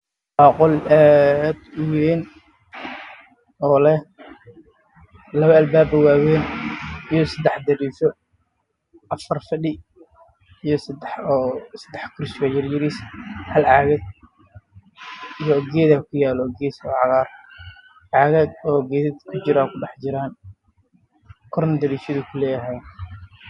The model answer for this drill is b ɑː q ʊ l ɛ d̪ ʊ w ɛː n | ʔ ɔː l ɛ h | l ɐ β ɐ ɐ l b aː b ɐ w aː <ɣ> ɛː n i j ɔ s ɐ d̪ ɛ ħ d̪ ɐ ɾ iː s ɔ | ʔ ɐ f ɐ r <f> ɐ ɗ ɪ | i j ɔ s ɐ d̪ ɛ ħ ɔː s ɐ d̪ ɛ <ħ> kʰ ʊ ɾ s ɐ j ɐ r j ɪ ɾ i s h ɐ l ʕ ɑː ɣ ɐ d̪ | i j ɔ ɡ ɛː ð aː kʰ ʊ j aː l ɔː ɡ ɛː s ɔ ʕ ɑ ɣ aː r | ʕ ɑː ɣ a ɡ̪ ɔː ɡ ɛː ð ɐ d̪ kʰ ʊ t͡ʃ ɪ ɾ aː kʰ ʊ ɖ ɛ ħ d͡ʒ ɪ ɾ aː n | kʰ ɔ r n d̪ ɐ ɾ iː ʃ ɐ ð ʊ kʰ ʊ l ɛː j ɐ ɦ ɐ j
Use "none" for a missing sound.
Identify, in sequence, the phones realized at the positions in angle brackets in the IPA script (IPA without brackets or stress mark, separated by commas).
w, f, ħ